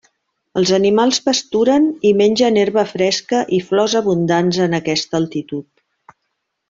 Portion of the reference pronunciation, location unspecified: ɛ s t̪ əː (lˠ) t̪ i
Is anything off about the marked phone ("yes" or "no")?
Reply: no